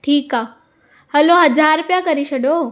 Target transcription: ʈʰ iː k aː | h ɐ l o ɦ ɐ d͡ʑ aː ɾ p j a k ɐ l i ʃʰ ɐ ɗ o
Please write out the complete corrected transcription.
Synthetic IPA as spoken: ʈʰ iː k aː | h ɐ l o ɦ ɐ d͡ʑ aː ɾ p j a k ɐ ɾ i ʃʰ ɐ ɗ o